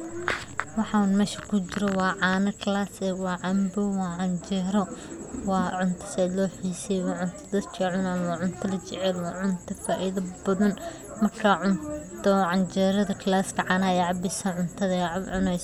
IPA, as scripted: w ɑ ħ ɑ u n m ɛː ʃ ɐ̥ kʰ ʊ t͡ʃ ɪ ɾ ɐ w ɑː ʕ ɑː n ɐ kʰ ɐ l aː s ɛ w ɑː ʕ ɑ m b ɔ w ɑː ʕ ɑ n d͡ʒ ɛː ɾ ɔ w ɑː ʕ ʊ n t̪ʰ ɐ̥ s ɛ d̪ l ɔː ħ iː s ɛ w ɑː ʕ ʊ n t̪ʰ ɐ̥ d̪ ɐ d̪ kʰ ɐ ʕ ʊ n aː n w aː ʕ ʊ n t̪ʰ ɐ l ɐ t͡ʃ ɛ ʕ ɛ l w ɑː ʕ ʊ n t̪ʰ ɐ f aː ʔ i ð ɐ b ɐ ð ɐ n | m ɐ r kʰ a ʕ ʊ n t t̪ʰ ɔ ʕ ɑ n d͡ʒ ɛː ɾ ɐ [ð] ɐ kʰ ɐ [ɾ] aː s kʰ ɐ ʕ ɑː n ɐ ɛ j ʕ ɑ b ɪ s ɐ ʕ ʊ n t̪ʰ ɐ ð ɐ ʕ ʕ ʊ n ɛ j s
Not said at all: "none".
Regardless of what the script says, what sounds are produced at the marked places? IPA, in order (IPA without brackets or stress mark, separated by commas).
ð, l